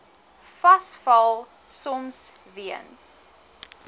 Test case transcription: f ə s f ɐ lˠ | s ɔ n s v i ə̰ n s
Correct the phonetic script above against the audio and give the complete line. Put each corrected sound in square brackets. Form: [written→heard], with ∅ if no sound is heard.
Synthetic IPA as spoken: f [ə→ɐ] s f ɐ lˠ | s ɔ [n→m] s v i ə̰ n s